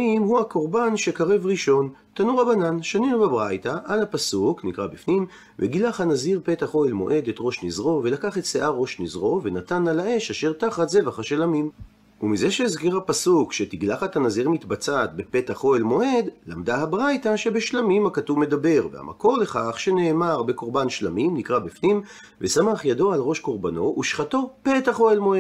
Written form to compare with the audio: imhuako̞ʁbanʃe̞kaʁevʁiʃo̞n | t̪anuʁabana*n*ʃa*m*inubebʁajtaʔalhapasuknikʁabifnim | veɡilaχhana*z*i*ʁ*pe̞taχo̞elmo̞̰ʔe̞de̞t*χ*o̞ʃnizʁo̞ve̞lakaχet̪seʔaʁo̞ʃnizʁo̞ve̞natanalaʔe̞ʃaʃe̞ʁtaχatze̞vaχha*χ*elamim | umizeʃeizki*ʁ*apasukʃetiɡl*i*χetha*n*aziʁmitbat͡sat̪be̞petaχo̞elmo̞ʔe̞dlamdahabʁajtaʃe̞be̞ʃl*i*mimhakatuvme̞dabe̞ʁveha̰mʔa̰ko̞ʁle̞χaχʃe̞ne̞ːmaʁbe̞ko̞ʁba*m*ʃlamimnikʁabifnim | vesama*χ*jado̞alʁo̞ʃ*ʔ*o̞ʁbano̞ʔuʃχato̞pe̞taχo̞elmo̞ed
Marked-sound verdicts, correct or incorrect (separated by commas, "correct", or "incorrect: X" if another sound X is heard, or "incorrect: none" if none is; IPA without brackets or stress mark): correct, incorrect: n, correct, correct, incorrect: ʁ, incorrect: ʃ, correct, incorrect: a, correct, incorrect: a, incorrect: n, correct, incorrect: k